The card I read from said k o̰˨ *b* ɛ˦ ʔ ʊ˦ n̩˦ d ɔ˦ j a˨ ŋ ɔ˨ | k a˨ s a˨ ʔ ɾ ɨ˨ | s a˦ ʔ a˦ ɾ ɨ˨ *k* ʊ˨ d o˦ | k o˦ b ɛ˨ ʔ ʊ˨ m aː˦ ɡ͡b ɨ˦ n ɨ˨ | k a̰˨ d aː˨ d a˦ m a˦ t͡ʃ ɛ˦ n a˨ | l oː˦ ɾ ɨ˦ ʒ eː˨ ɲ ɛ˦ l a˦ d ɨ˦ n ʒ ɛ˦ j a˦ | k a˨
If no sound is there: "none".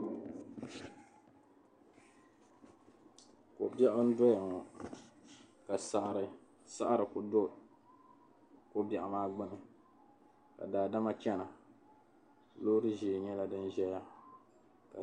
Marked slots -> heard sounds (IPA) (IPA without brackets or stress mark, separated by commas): b, k